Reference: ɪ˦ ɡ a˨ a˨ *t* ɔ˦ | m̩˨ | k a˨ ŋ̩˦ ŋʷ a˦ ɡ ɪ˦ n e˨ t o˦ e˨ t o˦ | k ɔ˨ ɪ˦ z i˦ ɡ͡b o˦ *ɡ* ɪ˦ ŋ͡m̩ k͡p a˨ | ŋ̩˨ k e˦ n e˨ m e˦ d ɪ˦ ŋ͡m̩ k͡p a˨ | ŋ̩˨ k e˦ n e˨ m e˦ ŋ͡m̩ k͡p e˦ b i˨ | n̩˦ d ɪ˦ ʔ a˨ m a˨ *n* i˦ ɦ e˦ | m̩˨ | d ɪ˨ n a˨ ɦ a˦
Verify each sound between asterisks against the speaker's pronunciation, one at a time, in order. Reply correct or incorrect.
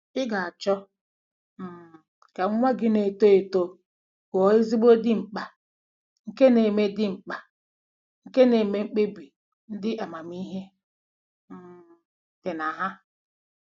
incorrect, incorrect, incorrect

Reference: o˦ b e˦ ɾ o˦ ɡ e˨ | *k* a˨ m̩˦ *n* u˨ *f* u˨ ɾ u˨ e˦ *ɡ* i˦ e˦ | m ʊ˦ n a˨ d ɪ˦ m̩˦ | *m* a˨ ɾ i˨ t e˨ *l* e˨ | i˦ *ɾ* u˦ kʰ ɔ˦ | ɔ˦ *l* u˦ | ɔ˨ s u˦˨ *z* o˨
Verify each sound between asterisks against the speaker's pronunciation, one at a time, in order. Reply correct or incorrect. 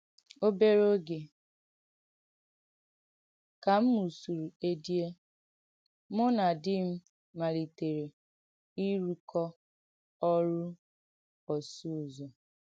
correct, incorrect, incorrect, incorrect, correct, incorrect, correct, incorrect, correct

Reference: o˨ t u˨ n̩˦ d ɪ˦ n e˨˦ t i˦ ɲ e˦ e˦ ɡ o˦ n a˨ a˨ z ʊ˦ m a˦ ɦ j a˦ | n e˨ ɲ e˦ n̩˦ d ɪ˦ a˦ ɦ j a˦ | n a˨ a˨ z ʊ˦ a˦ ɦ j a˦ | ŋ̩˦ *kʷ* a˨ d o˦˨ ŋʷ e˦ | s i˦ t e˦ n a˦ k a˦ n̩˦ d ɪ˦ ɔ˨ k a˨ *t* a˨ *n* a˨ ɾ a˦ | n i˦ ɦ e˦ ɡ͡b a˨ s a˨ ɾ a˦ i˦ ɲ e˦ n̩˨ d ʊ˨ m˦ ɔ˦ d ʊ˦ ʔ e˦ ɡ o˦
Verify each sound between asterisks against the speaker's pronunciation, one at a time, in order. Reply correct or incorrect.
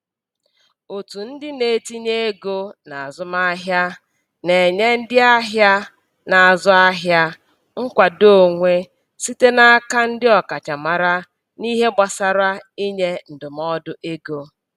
correct, incorrect, incorrect

